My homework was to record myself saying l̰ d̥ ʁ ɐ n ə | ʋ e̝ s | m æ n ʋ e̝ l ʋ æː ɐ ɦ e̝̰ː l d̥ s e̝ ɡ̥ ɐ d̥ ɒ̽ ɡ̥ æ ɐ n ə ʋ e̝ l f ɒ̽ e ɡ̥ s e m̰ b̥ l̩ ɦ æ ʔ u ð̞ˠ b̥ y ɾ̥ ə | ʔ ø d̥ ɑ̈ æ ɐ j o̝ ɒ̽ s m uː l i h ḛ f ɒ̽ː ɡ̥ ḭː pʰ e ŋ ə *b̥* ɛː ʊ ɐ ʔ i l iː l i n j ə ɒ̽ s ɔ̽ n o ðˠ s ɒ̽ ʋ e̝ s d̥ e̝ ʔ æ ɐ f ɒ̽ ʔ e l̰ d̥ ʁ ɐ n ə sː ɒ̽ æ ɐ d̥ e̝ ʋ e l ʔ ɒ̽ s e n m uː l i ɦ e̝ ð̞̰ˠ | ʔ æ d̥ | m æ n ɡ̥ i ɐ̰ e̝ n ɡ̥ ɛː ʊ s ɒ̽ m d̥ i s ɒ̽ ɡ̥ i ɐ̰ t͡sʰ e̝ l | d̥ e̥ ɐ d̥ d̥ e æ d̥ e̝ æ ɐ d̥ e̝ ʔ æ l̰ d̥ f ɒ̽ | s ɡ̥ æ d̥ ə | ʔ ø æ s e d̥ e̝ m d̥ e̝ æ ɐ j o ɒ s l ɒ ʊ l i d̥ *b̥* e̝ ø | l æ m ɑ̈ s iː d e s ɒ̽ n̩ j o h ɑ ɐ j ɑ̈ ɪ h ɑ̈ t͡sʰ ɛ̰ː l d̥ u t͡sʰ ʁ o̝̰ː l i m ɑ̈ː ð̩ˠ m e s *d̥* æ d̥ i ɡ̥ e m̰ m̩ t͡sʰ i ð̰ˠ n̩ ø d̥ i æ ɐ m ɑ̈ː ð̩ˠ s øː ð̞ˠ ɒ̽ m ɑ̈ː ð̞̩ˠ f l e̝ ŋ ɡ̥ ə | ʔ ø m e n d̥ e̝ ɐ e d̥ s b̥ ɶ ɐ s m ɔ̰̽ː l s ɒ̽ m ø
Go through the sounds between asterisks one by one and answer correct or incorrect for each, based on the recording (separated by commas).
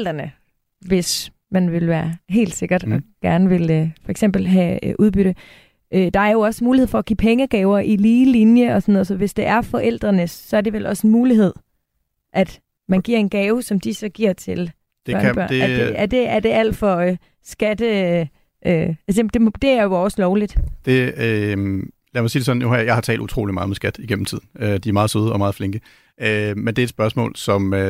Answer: incorrect, incorrect, incorrect